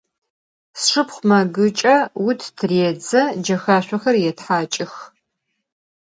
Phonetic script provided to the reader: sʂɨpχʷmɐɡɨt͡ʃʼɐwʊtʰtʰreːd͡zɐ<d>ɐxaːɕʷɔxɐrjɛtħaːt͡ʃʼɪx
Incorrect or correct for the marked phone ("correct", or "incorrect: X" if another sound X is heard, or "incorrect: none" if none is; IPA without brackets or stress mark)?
incorrect: d͡ʒ